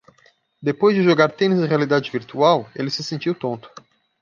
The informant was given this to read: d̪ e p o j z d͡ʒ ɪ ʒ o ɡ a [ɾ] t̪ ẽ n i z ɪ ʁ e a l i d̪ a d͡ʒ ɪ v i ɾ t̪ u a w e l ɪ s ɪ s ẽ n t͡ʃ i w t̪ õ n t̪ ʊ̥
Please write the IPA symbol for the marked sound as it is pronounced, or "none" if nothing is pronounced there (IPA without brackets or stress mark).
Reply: ɾ